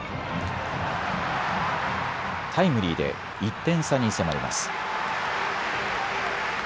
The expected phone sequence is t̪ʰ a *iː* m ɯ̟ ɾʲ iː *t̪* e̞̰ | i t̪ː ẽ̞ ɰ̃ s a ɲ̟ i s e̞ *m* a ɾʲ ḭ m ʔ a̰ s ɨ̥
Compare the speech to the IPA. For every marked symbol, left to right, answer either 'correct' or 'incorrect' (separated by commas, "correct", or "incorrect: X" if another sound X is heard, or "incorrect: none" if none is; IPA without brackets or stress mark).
incorrect: i, incorrect: d̪, correct